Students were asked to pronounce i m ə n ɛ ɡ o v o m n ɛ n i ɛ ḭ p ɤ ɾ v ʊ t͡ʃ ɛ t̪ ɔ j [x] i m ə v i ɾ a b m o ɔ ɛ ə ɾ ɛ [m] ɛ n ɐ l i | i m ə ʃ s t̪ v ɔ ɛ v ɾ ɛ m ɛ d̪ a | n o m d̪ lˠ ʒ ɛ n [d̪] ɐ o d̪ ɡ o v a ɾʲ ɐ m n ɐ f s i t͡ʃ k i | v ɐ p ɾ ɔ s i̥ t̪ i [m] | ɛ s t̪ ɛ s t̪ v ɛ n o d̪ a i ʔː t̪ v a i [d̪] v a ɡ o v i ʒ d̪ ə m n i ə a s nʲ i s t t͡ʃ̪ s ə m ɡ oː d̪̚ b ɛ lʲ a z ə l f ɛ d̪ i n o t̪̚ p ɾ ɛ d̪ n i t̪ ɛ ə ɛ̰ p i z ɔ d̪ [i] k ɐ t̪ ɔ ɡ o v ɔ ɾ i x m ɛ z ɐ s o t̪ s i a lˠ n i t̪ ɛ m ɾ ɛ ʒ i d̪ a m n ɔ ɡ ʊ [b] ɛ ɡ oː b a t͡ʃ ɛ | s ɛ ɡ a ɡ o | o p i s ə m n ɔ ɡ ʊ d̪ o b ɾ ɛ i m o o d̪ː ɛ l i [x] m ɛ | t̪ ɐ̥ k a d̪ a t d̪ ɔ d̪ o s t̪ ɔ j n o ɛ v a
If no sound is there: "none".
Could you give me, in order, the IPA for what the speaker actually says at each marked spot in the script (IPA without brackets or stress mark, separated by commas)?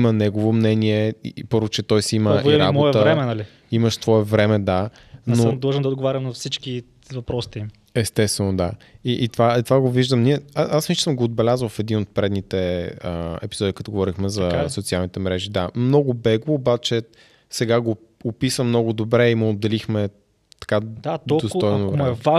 s, m, d̪, m, t̪, i, b, x